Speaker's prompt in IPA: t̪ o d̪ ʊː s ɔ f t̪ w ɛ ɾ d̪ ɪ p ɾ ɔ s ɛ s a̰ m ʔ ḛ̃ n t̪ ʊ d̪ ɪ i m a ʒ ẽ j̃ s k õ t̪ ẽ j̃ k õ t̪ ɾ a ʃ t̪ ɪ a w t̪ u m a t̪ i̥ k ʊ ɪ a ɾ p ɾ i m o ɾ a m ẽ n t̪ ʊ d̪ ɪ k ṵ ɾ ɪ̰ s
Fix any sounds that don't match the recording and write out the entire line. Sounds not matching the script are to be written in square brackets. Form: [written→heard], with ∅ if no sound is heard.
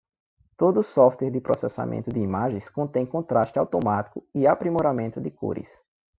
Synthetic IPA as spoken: t̪ o d̪ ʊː s ɔ f t̪ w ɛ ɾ d̪ ɪ p ɾ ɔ s ɛ s a̰ m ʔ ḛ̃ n t̪ ʊ d̪ ɪ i m a ʒ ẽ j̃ s k õ t̪ ẽ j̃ k õ t̪ ɾ a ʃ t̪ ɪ a w t̪ [u→o] m a t̪ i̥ k ʊ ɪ a [ɾ→∅] p ɾ i m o ɾ a m ẽ n t̪ ʊ d̪ ɪ k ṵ ɾ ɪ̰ s